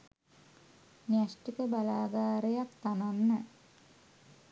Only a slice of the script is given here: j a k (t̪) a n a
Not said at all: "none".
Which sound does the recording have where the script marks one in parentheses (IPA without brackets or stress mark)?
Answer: t̪